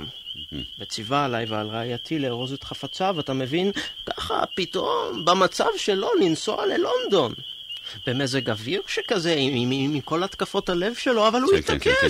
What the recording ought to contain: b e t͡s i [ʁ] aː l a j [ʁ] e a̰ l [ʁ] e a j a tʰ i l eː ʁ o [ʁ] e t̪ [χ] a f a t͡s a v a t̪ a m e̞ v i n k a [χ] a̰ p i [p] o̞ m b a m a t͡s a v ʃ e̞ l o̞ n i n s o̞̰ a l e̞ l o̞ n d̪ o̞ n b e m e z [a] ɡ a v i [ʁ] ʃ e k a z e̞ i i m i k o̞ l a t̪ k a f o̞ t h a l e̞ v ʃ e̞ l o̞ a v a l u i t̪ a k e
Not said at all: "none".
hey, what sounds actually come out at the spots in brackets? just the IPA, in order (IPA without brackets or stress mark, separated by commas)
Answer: v, v, ʁ, z, χ, χ, t, e, ʁ